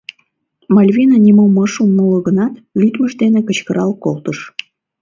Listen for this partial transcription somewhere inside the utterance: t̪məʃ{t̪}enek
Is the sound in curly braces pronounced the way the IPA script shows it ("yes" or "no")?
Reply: no